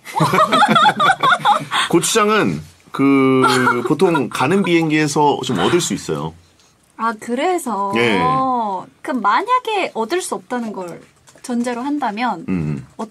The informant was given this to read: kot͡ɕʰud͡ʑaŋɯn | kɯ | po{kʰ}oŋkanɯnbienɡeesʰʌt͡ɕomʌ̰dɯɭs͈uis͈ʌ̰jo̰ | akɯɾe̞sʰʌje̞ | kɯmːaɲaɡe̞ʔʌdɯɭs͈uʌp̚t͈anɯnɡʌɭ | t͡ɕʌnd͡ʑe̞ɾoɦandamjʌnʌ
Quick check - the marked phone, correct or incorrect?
incorrect